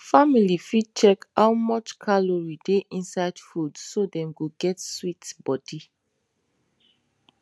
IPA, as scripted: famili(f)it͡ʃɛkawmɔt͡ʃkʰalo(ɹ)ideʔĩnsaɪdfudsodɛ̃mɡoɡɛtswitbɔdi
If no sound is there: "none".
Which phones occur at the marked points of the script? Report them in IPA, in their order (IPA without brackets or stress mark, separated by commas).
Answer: f, ɹ